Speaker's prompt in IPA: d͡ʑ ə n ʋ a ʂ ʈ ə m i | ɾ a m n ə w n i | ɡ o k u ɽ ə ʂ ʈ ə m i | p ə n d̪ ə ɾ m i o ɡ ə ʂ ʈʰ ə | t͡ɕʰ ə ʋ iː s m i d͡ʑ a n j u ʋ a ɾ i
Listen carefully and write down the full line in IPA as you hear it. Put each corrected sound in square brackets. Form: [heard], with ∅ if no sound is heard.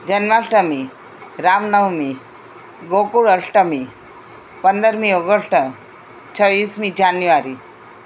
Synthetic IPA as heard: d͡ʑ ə n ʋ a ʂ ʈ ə m i | ɾ a m n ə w [m] i | ɡ o k u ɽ ə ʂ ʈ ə m i | p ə n d̪ ə ɾ m i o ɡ ə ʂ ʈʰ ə | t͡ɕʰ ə ʋ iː s m i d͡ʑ a n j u ʋ a ɾ i